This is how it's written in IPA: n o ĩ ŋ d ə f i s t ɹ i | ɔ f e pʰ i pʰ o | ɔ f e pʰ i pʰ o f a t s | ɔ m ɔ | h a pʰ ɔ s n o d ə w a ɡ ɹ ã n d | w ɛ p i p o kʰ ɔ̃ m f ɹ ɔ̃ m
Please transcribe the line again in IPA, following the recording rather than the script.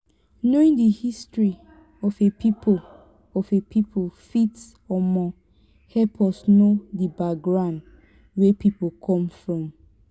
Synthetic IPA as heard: n o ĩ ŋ d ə h i s t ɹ i | ɔ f e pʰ i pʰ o | ɔ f e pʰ i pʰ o f i t s | ɔ m ɔ | h ɛ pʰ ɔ s n o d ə b a ɡ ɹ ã n d | w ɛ p i p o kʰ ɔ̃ m f ɹ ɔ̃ m